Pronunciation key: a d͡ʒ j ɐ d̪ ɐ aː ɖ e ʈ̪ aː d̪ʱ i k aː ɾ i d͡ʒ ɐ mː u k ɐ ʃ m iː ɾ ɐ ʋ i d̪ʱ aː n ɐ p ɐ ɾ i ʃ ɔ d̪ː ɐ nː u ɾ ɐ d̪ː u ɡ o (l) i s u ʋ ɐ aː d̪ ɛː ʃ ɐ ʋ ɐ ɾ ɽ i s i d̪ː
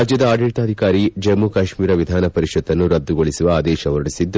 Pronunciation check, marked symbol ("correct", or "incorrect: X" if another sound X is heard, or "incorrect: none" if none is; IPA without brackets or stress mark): incorrect: ɭ